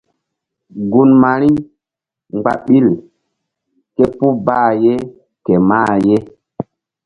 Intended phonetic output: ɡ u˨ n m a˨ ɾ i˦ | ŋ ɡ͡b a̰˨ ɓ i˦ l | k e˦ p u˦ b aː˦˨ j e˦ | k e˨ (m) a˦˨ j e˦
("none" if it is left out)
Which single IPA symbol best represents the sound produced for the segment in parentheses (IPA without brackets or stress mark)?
m